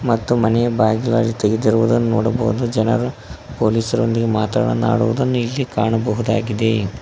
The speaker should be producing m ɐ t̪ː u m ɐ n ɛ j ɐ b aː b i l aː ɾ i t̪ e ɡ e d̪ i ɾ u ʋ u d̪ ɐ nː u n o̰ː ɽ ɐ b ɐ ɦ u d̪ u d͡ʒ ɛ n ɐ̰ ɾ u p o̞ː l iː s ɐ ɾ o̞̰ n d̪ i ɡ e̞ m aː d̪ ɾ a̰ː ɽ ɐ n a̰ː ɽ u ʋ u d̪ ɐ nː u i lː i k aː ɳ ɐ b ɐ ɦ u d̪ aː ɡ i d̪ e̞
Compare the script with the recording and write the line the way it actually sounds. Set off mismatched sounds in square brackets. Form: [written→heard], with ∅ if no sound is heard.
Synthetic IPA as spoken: m ɐ t̪ː u m ɐ n ɛ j ɐ b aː [b→ɡ] i l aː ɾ i t̪ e ɡ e d̪ i ɾ u ʋ u d̪ ɐ nː u n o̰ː ɽ ɐ b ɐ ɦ u d̪ u d͡ʒ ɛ n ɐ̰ ɾ u p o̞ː l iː s ɐ ɾ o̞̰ n d̪ i ɡ e̞ m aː [d̪→t̪] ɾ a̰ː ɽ ɐ n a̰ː ɽ u ʋ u d̪ ɐ nː u i lː i k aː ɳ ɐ b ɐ ɦ u d̪ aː ɡ i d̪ e̞